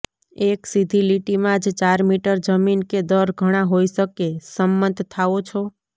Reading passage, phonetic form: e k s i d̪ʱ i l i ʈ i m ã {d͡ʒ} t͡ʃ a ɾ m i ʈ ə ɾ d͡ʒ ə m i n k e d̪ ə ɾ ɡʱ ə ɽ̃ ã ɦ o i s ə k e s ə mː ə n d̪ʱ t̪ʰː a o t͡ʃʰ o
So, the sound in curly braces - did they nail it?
yes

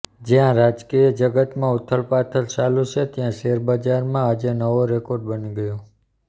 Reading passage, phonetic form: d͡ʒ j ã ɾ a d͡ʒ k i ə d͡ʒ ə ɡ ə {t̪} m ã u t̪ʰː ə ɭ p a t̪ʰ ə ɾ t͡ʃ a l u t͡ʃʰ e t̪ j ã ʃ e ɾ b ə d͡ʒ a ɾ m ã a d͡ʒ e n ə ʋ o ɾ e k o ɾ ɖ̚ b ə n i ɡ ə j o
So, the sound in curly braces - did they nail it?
yes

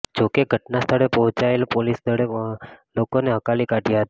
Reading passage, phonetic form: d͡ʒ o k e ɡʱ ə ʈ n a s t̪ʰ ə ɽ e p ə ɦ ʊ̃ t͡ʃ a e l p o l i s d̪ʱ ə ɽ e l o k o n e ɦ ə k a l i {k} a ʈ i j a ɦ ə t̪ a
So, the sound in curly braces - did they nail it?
yes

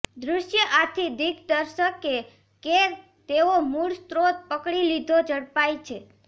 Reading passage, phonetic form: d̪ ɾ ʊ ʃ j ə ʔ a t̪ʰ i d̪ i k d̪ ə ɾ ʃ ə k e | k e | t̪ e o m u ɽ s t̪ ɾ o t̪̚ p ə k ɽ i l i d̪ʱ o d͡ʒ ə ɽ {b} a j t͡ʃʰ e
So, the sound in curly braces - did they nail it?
no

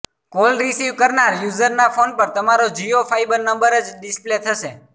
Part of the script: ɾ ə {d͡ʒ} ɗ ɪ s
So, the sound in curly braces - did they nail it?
yes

